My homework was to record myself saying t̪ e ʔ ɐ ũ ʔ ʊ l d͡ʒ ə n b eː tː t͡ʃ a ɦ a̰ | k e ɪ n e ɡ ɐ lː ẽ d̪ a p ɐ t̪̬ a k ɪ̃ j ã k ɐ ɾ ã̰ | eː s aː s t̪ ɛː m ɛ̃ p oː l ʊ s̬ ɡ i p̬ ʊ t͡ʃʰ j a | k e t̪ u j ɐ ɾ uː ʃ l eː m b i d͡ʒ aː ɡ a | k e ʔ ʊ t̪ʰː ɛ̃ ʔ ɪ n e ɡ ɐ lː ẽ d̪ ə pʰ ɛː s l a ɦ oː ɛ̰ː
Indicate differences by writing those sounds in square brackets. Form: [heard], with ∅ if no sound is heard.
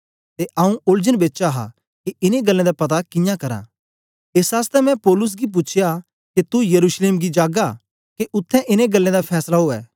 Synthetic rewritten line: t̪ e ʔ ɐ ũ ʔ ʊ l d͡ʒ ə n b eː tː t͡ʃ a ɦ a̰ | k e ɪ n e ɡ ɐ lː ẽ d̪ a p ɐ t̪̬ a k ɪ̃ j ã k ɐ ɾ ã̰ | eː s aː s t̪ [ɛ] m ɛ̃ p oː l ʊ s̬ ɡ i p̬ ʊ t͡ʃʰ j a | k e t̪ u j ɐ ɾ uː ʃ l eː m [ɡ] i d͡ʒ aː ɡ a | k e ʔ ʊ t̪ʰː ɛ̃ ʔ ɪ n e ɡ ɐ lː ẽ d̪ [a] pʰ ɛː s l a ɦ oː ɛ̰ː